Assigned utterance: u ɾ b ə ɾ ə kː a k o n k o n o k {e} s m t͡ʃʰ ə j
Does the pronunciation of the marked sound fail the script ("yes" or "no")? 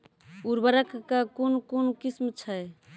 yes